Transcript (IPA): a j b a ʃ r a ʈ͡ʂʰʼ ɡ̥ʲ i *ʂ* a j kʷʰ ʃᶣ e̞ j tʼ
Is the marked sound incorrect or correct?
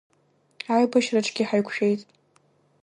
incorrect